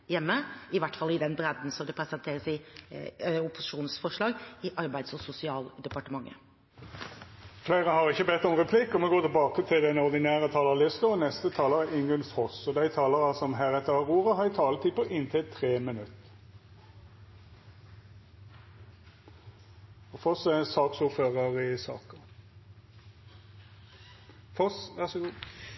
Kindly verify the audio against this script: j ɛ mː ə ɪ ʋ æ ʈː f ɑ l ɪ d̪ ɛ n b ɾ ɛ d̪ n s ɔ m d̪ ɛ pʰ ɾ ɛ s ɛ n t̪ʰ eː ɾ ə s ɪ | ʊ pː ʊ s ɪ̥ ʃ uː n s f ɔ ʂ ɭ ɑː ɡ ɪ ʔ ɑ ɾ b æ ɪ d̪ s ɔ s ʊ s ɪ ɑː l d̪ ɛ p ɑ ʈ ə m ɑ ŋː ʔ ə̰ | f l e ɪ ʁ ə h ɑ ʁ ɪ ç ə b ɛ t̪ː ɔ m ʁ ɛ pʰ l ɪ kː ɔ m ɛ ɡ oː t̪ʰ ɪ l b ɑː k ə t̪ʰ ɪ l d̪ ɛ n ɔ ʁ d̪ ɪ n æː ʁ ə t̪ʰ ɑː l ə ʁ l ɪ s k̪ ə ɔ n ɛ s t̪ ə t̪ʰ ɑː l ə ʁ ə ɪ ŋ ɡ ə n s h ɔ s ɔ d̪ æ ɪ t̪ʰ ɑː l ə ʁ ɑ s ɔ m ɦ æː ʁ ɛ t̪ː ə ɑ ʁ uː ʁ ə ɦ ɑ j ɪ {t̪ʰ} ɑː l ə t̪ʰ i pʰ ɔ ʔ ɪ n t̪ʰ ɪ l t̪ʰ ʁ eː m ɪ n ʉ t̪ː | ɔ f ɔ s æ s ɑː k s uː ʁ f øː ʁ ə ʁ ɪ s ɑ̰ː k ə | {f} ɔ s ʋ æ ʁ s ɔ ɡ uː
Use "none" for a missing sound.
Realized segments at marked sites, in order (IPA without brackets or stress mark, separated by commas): t̪ʰ, f